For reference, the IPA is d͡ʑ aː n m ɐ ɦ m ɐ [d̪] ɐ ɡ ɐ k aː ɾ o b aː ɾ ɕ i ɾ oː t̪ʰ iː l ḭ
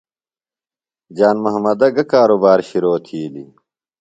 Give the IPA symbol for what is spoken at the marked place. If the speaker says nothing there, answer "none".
d̪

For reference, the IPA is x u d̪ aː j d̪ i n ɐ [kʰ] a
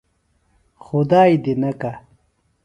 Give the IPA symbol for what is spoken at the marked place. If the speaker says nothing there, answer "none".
k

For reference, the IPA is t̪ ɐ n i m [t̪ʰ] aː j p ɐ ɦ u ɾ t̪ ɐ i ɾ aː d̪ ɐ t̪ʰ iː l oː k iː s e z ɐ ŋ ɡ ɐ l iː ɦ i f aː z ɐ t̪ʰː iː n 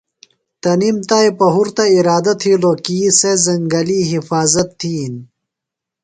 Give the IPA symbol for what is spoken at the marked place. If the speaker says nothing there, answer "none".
t̪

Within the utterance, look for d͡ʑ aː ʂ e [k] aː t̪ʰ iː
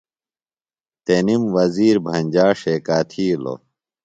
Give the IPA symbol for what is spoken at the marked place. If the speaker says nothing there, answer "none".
k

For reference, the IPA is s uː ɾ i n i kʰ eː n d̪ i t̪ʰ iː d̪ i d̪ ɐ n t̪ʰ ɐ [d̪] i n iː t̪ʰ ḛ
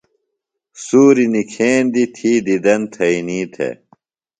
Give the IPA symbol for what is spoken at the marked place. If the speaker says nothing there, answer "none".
none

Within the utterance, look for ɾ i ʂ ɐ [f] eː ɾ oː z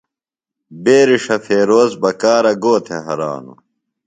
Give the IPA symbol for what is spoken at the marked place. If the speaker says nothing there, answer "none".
f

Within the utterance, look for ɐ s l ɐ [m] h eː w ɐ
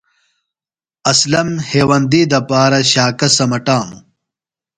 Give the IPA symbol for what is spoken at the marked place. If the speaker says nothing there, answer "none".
m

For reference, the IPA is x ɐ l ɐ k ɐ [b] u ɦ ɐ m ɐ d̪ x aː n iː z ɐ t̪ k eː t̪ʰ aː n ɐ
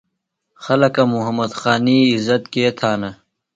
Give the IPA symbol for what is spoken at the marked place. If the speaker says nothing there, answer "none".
m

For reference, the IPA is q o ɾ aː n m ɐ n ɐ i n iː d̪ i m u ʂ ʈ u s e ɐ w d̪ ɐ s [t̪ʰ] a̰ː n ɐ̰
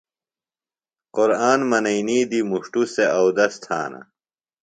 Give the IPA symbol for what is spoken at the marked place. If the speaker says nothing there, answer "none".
t̪ʰ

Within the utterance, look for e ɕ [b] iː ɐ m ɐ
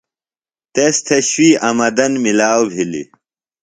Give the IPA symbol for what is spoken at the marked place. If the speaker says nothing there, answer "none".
w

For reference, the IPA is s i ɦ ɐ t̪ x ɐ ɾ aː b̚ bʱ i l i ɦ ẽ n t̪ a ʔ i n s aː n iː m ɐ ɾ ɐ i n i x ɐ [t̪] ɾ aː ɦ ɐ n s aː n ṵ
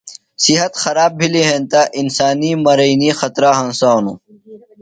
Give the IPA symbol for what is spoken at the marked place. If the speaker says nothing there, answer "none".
t̪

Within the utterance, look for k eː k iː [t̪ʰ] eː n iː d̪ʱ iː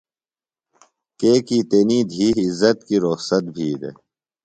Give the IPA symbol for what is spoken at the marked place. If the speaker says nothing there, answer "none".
t̪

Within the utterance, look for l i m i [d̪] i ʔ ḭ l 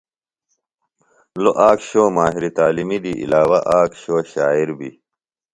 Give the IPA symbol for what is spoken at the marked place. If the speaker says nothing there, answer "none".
d̪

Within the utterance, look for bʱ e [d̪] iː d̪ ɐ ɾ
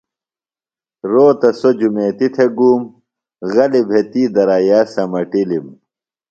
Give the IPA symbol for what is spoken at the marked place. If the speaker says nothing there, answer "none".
t̪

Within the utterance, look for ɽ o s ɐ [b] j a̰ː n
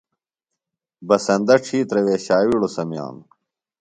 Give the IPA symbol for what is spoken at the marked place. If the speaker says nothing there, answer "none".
m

